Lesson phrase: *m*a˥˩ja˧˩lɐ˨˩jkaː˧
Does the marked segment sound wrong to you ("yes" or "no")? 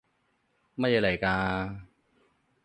no